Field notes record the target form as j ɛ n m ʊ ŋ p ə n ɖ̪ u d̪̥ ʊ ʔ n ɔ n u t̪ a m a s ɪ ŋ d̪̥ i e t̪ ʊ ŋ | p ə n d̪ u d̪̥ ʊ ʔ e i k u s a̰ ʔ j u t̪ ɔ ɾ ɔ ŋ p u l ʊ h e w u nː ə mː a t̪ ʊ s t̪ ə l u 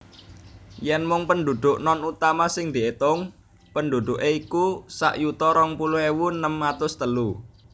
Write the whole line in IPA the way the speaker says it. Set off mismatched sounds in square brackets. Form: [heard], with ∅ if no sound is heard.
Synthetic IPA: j ɛ n m ʊ ŋ p ə n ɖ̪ u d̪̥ ʊ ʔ n ɔ n u t̪ a m a s ɪ ŋ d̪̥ i e t̪ ʊ ŋ | p ə n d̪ u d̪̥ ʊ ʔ e i k u s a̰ ʔ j u t̪ ɔ ɾ ɔ ŋ p u l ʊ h e w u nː ə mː a t̪ ʊ s t̪ ə l u

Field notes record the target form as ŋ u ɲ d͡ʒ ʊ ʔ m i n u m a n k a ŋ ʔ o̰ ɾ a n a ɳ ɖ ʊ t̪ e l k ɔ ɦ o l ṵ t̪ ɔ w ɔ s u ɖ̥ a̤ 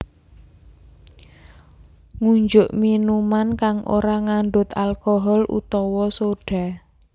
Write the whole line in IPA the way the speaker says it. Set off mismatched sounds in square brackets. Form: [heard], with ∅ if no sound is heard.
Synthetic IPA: ŋ u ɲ d͡ʒ ʊ ʔ m i n u m a n k a ŋ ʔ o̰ ɾ a [ŋ] a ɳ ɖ ʊ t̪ [a] l k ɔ ɦ [ɔ] l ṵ t̪ ɔ w ɔ s [o] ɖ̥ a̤

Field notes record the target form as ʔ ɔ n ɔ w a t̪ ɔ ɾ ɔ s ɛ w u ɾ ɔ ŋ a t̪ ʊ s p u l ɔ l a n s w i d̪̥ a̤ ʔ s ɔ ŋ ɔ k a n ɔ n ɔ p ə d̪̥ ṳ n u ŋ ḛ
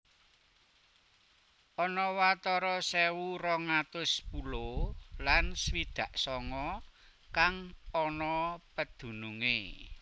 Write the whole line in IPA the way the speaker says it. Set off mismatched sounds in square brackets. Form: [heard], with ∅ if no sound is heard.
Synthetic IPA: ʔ ɔ n ɔ w a t̪ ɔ ɾ ɔ s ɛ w u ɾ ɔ ŋ a t̪ ʊ s p u l [o] l a n s w i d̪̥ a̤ ʔ s ɔ ŋ ɔ k a [ŋ] ɔ n ɔ p ə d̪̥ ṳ n u ŋ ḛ

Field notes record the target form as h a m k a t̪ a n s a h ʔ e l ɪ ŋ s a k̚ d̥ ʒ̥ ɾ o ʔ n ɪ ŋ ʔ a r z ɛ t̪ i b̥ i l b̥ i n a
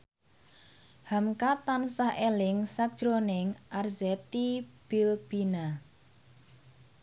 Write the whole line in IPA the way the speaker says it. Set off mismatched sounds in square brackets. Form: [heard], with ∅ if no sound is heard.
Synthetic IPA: h a m k a t̪ a n s a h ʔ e l ɪ ŋ s a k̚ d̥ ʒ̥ ɾ o [∅] n ɪ ŋ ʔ a r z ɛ t̪ i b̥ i l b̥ i n a

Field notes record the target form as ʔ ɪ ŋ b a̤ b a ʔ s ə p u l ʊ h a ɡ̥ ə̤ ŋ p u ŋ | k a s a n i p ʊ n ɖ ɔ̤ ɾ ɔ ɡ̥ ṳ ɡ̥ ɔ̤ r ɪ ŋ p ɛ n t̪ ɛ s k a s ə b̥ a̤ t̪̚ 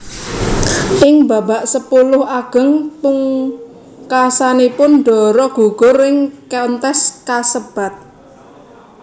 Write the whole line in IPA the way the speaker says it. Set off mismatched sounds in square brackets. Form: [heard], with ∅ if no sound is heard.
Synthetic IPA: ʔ ɪ ŋ b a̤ b a ʔ s ə p u l ʊ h a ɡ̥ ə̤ ŋ p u ŋ | k a s a n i p ʊ n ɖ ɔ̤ ɾ ɔ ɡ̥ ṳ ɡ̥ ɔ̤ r ɪ ŋ [k] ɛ n t̪ ɛ s k a s ə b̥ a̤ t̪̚

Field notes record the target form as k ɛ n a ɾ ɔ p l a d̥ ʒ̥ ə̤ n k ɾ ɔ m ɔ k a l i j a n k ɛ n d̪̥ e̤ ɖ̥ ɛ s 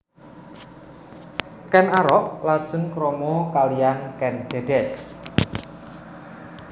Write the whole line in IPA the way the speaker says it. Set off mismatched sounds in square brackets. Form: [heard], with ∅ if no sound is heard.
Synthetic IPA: k ɛ n a ɾ ɔ [ʔ] l a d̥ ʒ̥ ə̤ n k ɾ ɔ m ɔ k a l i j a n k ɛ n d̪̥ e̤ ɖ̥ ɛ s

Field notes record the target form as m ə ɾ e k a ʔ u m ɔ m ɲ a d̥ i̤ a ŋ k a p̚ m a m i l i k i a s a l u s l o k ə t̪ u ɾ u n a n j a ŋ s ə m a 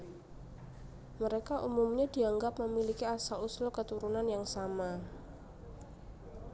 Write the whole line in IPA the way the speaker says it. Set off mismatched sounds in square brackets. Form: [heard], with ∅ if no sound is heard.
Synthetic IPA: m ə ɾ e k a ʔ u m [u] m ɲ a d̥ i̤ a ŋ [ɡ] a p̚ m [ə] m i l i k i a s a l u s l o k ə t̪ u ɾ u n a n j a ŋ s [a] m a

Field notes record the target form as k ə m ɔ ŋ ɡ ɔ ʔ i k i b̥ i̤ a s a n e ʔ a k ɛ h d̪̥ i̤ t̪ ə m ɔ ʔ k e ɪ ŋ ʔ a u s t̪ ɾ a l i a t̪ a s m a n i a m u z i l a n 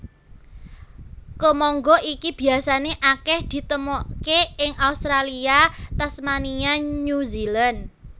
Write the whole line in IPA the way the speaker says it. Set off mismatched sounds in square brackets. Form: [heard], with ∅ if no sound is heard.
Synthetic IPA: k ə m ɔ ŋ ɡ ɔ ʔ i k i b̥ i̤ a s a n e ʔ a k ɛ h d̪̥ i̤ t̪ ə m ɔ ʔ k e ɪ ŋ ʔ a u s t̪ ɾ a l i a t̪ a s m a n i a [ɲ] u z i l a n

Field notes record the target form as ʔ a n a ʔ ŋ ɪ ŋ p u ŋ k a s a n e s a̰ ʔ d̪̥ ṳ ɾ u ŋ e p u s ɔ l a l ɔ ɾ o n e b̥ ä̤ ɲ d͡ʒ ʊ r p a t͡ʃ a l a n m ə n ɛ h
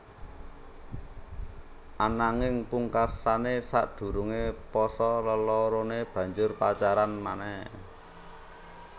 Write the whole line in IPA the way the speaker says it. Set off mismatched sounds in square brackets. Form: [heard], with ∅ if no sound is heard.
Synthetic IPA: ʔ a n a [∅] ŋ ɪ ŋ p u ŋ k a s a n e s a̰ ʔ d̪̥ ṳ ɾ u ŋ e p [ɔ] s ɔ l [ə] l ɔ ɾ o n e b̥ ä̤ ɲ d͡ʒ ʊ r p a t͡ʃ a [ɾ] a n m [a] n ɛ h

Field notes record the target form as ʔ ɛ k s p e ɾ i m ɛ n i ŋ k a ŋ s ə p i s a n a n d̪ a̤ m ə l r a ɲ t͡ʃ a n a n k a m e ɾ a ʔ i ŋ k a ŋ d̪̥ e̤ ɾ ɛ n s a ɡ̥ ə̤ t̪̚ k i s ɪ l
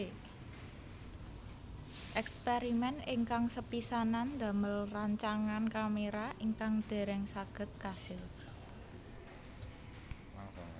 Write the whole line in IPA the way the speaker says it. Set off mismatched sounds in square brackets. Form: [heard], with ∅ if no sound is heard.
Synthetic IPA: ʔ ɛ k s p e ɾ i m ɛ n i ŋ k a ŋ s ə p i s a n a n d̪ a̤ m ə l r a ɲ t͡ʃ a [ŋ] a n k a m e ɾ a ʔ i ŋ k a ŋ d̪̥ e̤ ɾ ɛ [ŋ] s a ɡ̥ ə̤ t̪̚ k [a] s ɪ l

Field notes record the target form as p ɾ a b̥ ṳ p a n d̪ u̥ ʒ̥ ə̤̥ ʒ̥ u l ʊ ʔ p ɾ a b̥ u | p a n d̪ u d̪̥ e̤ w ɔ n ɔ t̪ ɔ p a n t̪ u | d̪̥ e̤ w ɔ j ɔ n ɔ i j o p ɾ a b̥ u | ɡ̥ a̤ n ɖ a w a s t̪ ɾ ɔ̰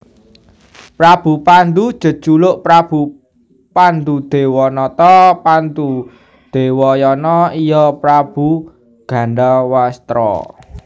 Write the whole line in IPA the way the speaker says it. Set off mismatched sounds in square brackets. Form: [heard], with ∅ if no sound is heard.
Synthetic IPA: p ɾ a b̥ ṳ p a n d̪ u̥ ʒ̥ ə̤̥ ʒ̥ u l ʊ ʔ p ɾ a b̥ u | p a n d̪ u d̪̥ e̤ w ɔ n ɔ t̪ ɔ p a n t̪ u | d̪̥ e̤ w ɔ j ɔ n ɔ i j [ɔ] p ɾ a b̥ u | ɡ̥ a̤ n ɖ a w a s t̪ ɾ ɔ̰

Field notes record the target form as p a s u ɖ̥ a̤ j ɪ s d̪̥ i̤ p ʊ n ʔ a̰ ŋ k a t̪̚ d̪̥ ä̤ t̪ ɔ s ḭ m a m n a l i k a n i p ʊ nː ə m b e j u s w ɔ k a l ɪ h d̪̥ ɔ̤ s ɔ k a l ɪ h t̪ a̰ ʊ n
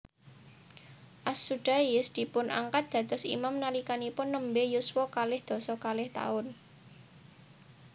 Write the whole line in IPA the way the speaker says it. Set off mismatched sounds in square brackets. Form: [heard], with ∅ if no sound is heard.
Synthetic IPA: [ʔ] a s u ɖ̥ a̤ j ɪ s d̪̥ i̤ p ʊ n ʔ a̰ ŋ k a t̪̚ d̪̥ ä̤ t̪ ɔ s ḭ m a m n a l i k a n i p ʊ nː ə m b e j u s w ɔ k a l ɪ h d̪̥ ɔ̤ s ɔ k a l ɪ h t̪ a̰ ʊ n

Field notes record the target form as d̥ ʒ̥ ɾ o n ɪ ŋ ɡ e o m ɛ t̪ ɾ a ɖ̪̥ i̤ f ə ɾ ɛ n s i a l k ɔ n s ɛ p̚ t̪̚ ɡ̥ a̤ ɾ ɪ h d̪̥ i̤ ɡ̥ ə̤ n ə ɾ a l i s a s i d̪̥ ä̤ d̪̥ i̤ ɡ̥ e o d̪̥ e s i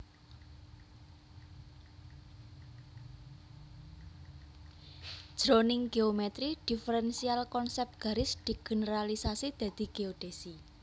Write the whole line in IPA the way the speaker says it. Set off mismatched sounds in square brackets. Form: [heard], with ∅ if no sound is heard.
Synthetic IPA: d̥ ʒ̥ ɾ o n ɪ ŋ ɡ e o m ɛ t̪ ɾ [i] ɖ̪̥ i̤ f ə ɾ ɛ n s i a l k ɔ n s ɛ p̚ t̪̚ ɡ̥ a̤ ɾ ɪ [s] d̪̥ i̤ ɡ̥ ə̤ n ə ɾ a l i s a s i d̪̥ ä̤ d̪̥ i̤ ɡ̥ e o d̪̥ e s i

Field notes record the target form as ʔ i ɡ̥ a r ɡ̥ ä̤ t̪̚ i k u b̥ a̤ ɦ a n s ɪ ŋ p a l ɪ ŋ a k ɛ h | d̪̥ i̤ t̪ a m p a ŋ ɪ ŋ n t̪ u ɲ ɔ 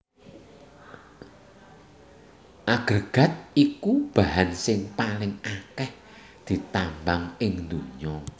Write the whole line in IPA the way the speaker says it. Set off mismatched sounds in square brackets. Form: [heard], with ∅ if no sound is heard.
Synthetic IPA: ʔ [a] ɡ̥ [ə] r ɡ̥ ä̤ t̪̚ i k u b̥ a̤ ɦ a n s ɪ ŋ p a l ɪ ŋ a k ɛ h | d̪̥ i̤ t̪ a m [b] a ŋ ɪ ŋ n [d̪] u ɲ ɔ

